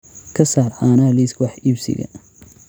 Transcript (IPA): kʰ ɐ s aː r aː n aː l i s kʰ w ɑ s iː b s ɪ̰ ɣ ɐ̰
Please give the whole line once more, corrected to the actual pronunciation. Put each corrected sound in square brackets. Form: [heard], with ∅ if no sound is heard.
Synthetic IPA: kʰ ɐ s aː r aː n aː l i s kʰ w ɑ [ħ] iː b s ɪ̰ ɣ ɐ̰